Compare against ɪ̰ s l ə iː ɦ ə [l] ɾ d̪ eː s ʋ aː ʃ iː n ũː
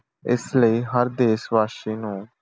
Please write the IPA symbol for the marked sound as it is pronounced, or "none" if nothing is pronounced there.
none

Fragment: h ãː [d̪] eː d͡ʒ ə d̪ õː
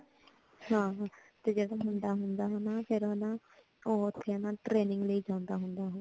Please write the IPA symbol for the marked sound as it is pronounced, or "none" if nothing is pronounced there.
t̪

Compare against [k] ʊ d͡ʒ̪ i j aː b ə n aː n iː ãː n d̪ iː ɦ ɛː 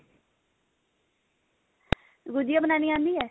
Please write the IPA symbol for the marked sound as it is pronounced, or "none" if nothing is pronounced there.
ɡ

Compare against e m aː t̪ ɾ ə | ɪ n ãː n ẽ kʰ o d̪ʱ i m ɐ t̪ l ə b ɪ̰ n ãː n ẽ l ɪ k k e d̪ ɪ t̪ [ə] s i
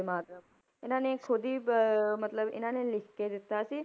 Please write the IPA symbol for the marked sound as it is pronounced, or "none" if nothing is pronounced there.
a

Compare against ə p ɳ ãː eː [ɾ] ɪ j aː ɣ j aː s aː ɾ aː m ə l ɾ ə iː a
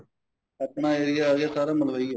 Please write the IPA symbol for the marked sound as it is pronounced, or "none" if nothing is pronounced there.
ɾ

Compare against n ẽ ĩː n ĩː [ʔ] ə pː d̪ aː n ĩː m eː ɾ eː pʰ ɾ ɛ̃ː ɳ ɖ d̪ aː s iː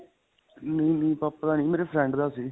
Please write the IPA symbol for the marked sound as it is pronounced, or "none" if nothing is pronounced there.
p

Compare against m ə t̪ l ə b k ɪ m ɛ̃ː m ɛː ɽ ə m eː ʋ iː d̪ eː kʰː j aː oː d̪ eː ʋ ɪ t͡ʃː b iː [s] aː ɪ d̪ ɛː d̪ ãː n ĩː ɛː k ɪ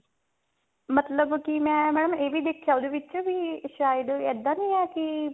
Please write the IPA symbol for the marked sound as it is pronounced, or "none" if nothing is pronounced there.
ʃ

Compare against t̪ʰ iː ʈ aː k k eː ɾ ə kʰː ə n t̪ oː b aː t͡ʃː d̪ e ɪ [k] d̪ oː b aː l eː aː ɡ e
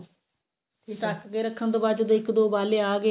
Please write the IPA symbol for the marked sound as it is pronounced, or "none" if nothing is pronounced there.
k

